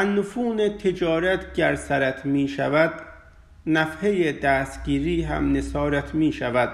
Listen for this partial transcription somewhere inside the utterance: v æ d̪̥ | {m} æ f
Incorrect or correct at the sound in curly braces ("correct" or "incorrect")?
incorrect